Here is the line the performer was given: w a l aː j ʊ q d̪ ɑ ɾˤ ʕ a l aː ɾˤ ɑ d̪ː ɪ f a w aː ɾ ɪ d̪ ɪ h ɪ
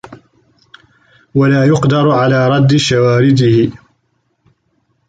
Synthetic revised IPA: w a l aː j ʊ q d̪ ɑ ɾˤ ʕ a l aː ɾˤ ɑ d̪ː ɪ ʃ a w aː ɾ ɪ d̪ ɪ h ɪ